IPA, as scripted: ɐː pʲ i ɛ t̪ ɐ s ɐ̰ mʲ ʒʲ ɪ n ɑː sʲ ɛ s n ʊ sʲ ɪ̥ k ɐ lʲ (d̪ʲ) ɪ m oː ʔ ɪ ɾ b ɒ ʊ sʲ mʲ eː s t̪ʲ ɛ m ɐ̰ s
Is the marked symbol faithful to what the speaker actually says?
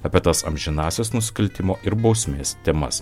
no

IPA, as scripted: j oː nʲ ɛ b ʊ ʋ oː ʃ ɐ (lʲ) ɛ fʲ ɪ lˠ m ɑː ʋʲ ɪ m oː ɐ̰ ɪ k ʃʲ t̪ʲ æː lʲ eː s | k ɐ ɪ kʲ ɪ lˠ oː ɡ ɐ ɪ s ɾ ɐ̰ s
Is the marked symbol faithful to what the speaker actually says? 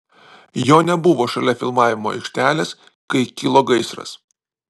yes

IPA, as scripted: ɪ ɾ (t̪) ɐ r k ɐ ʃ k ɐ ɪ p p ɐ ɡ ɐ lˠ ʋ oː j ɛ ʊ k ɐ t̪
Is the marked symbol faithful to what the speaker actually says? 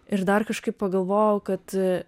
no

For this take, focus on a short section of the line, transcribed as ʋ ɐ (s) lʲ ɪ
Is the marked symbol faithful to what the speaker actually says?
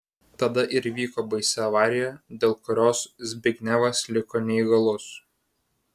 yes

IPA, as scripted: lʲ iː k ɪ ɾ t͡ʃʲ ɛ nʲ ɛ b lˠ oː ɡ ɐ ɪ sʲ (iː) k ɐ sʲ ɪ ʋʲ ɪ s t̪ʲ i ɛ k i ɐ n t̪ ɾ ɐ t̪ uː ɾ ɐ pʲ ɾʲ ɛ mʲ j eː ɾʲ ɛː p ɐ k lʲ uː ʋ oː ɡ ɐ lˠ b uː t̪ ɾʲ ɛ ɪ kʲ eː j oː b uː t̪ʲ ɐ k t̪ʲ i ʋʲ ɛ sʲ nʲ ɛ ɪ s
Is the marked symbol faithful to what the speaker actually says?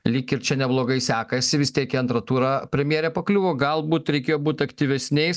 no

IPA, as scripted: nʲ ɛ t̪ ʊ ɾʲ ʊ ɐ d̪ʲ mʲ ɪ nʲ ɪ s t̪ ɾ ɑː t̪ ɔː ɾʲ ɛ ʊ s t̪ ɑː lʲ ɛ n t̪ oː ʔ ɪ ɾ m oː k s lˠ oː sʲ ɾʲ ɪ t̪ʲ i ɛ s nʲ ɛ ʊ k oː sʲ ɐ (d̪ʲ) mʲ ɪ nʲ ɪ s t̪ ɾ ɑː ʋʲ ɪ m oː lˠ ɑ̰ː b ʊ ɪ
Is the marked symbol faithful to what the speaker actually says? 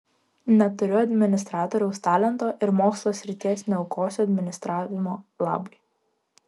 yes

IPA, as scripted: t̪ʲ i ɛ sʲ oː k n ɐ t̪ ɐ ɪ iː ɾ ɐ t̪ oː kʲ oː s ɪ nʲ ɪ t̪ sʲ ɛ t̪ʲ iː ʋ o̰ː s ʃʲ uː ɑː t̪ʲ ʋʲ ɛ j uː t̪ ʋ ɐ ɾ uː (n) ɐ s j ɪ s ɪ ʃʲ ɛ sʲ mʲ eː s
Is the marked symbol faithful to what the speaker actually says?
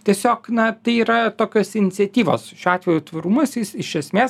no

